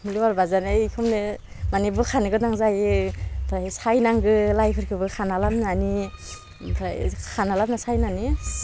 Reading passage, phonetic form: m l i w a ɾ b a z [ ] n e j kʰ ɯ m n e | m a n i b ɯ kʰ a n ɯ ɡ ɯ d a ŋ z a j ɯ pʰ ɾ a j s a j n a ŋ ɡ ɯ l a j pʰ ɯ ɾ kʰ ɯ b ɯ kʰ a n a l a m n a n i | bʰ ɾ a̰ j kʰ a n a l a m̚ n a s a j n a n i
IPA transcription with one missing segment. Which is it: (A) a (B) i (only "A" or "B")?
A